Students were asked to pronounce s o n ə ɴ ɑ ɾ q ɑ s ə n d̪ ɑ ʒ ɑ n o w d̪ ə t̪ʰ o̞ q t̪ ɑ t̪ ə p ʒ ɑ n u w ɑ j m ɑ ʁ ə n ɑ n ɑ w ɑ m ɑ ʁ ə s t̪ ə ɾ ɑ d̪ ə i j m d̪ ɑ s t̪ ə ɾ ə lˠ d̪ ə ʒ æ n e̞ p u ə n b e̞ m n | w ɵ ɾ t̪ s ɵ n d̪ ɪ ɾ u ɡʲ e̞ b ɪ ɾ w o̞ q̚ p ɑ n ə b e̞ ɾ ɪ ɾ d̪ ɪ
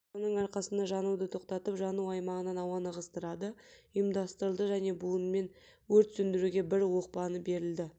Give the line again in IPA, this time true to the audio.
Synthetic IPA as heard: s o n ə ɴ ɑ ɾ q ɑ s ə n d̪ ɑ ʒ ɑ n u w d̪ ə t̪ʰ o̞ q t̪ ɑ t̪ ə p ʒ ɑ n u w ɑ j m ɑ ʁ ə n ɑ n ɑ w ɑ n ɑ ʁ ə s t̪ ə ɾ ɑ d̪ ə i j m d̪ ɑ s t̪ ə ɾ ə lˠ d̪ ə ʒ æ n e̞ b u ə n m e̞ n | w ɵ ɾ t̪ s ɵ n d̪ ɪ ɾ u ɡʲ e̞ b ɪ ɾ w o̞ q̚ p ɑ n ə b e̞ ɾ ɪ l d̪ ɪ